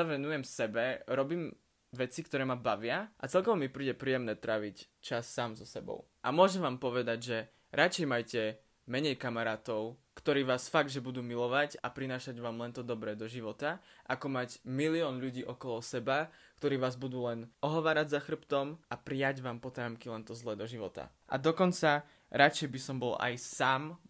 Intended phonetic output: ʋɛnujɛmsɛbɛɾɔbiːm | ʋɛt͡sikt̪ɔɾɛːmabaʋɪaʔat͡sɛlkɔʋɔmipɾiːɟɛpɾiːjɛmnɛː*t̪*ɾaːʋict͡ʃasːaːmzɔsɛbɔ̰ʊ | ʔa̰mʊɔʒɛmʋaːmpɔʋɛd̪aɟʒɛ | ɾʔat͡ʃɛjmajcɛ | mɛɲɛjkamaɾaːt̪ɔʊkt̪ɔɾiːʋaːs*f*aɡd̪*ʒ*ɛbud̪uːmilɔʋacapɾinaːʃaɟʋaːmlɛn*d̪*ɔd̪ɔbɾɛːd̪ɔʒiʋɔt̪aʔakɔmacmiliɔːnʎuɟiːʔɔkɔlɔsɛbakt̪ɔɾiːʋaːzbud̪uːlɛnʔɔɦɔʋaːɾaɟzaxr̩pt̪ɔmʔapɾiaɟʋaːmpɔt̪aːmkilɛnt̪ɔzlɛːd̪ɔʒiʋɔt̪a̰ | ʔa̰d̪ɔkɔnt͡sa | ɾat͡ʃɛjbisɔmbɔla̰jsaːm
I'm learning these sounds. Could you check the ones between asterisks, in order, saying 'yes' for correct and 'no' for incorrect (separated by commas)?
yes, yes, yes, no